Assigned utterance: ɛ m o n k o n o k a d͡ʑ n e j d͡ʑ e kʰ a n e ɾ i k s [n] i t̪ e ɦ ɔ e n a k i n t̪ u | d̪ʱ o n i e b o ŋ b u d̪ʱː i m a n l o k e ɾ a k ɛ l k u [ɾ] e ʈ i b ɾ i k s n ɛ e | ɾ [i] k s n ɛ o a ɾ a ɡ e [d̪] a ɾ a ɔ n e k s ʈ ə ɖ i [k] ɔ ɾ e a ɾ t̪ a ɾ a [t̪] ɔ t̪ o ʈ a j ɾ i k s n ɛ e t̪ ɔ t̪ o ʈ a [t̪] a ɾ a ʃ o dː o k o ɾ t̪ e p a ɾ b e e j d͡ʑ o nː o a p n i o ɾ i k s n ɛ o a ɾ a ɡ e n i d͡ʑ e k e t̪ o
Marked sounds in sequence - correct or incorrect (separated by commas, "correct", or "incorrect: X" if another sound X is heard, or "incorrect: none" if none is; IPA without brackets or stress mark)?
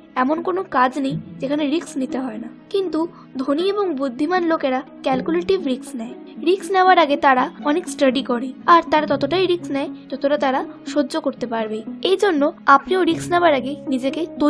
correct, incorrect: l, correct, incorrect: t̪, correct, correct, correct